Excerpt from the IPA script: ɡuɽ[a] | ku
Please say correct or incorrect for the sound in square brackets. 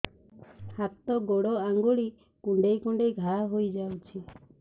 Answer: incorrect